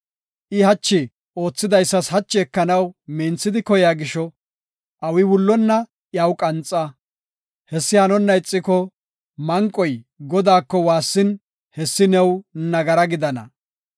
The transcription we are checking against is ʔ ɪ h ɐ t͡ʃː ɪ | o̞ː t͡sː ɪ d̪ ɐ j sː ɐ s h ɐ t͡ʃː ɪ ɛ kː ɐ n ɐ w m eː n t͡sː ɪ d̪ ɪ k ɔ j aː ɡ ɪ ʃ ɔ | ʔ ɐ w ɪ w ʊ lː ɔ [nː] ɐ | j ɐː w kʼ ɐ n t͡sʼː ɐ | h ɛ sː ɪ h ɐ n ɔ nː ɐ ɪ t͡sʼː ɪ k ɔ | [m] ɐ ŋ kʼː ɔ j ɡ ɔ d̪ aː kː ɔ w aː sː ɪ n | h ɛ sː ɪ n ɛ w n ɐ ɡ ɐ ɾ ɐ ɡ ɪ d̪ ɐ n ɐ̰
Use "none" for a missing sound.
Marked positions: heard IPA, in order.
nː, m

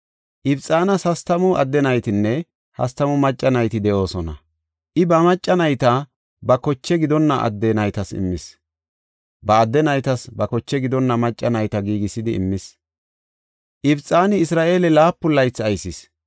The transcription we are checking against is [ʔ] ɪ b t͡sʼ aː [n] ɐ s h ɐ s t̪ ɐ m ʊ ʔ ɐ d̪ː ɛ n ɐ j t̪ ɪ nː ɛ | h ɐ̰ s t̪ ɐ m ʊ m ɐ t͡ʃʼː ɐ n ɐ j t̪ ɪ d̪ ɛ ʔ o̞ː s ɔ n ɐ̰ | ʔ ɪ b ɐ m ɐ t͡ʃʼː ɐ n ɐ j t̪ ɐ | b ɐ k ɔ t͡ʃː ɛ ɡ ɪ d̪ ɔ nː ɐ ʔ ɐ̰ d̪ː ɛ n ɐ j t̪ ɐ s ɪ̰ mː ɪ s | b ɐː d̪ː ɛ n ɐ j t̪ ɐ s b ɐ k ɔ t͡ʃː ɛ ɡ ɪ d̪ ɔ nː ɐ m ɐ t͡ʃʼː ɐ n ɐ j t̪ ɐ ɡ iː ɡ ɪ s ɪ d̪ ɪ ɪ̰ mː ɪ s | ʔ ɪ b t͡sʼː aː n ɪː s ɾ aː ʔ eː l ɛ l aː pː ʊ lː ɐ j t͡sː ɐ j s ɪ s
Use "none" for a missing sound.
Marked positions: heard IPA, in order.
ʔ, n

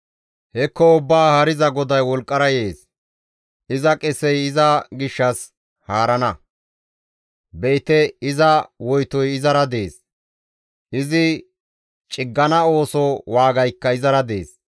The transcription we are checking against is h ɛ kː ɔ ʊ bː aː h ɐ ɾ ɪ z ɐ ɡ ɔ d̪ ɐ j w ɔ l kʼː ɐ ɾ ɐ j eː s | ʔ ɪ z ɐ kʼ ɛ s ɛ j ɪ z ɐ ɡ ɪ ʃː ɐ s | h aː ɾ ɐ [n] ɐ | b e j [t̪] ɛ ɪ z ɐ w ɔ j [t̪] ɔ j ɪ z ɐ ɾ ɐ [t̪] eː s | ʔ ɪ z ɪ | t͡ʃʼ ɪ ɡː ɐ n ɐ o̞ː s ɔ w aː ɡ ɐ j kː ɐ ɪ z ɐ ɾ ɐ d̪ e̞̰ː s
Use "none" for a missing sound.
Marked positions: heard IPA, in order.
n, t̪, t̪, d̪

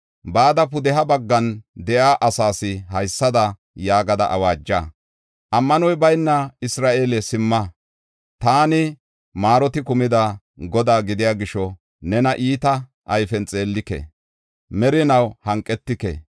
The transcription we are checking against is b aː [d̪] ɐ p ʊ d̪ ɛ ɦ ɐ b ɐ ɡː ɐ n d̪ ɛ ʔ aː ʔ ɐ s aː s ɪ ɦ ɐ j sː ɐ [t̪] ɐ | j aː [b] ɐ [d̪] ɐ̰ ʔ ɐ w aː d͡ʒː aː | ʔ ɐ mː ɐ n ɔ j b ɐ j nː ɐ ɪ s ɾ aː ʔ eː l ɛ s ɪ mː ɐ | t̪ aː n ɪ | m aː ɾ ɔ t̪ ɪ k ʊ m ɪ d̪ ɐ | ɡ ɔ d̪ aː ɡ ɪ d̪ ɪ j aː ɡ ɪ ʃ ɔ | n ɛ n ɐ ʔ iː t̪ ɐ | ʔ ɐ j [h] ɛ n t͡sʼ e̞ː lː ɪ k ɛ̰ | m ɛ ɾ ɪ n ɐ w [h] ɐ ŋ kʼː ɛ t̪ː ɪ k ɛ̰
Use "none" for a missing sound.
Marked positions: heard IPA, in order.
d̪, d̪, ɡ, d̪, f, h

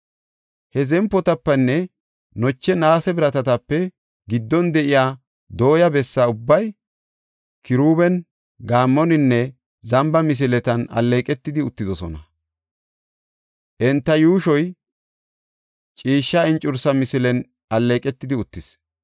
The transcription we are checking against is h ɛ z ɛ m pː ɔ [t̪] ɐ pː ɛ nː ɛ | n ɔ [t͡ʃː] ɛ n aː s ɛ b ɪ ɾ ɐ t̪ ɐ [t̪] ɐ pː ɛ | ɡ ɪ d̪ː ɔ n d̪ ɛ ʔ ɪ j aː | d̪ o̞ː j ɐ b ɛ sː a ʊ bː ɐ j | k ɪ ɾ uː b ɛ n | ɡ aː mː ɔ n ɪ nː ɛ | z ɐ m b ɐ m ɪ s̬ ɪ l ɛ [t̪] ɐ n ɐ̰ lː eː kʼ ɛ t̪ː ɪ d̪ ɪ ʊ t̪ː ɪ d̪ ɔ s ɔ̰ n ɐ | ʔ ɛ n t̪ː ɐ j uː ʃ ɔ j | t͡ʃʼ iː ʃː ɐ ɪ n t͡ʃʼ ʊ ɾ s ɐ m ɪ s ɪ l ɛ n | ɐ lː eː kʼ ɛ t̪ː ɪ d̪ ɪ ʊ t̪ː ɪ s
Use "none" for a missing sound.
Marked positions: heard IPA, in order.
t̪, t͡ʃː, t̪, t̪

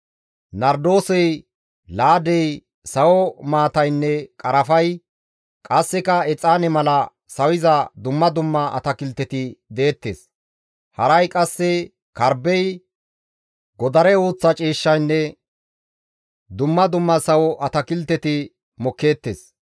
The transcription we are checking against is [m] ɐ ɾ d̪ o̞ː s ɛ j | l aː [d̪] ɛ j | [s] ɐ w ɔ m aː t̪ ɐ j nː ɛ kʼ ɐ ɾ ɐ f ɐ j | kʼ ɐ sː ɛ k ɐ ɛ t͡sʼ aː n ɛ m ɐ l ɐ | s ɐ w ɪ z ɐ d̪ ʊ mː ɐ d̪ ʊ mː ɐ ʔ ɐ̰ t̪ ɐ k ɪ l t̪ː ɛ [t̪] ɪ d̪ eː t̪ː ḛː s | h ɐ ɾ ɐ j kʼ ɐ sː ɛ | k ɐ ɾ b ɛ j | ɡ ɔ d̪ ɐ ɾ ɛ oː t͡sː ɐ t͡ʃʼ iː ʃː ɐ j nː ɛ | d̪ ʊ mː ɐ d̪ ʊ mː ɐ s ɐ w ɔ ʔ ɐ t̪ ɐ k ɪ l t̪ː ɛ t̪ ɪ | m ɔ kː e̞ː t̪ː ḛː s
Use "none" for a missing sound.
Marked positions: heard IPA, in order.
n, d̪, s, t̪

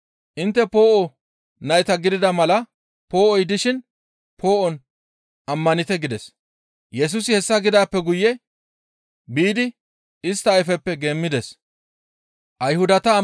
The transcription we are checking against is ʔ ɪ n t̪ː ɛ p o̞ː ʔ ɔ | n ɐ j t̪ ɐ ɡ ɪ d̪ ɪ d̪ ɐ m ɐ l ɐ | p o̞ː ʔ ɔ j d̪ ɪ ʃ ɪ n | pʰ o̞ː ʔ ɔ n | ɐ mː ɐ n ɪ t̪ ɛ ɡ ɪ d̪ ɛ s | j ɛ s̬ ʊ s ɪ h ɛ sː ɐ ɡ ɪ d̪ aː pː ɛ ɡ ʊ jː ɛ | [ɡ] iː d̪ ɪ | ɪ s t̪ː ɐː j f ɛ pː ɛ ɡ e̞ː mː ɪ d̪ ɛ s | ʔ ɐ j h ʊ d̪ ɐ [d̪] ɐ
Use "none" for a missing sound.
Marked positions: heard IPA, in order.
b, t̪

